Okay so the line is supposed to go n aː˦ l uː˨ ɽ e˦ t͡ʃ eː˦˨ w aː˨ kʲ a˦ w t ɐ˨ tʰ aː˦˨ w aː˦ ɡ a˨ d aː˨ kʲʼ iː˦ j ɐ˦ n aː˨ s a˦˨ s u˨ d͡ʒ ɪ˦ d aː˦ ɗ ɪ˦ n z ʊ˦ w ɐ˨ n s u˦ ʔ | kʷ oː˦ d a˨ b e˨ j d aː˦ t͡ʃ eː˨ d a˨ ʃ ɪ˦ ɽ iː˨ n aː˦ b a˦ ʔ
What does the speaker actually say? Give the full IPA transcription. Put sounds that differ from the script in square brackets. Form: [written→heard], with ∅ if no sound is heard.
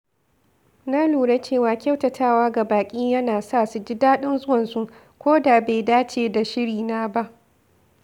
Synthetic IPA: n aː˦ l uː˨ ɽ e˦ t͡ʃ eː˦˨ w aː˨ kʲ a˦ w t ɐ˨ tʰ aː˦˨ w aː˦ ɡ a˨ [d→b] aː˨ kʲʼ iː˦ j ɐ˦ n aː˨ s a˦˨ s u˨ d͡ʒ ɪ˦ d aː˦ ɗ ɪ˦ n z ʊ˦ w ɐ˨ n s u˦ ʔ | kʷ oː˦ d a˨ b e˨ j d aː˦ t͡ʃ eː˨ d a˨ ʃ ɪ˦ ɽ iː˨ n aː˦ b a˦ ʔ